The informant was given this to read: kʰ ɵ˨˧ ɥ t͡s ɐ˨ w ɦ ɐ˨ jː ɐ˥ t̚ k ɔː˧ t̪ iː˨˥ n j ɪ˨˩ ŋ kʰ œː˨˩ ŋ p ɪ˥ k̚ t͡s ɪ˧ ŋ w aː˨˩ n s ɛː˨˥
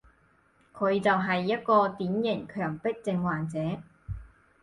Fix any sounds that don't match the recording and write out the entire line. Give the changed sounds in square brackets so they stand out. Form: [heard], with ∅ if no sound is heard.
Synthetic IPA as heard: kʰ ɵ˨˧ ɥ t͡s ɐ˨ w ɦ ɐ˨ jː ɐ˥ t̚ k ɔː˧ t̪ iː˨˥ n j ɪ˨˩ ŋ kʰ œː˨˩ ŋ p ɪ˥ k̚ t͡s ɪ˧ ŋ w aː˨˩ n [t͡s] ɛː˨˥

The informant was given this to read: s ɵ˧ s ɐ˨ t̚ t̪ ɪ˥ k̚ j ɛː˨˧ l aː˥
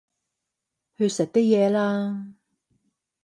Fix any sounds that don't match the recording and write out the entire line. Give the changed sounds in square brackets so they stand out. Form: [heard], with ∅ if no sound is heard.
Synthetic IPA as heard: [h] ɵ˧ s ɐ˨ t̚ t̪ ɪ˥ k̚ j ɛː˨˧ l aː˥

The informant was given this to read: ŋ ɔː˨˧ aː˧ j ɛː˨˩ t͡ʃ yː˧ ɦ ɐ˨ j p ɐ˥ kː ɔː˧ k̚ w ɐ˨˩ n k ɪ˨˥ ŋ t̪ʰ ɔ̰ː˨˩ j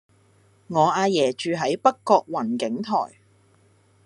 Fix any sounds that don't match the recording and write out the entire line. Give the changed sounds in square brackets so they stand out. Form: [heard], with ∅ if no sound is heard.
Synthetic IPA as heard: ŋ ɔː˨˧ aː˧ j ɛː˨˩ t͡ʃ yː˧ ɦ [ɐ˨˥] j p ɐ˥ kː ɔː˧ k̚ w ɐ˨˩ n k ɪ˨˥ ŋ t̪ʰ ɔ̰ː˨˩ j

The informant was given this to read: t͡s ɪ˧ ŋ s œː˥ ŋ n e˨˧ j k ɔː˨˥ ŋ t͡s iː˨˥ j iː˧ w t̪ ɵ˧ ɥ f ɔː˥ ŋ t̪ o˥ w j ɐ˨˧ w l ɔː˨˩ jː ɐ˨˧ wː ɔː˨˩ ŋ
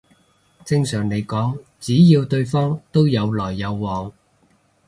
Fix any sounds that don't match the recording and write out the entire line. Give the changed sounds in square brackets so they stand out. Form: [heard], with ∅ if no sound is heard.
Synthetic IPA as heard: t͡s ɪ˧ ŋ s [œː˨˩] ŋ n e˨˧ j k ɔː˨˥ ŋ t͡s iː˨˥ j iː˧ w t̪ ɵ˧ ɥ f ɔː˥ ŋ t̪ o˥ w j ɐ˨˧ w l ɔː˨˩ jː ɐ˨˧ wː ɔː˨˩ ŋ

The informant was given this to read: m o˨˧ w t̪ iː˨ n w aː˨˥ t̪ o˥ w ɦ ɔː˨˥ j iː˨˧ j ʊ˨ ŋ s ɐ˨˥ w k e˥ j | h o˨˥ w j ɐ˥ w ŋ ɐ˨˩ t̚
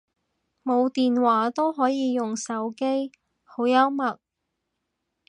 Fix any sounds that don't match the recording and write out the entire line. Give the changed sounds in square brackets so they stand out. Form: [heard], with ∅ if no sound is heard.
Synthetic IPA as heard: m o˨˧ w t̪ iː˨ n w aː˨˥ t̪ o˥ w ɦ ɔː˨˥ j iː˨˧ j ʊ˨ ŋ s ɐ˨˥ w k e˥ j | h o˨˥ w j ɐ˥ w [m] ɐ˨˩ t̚

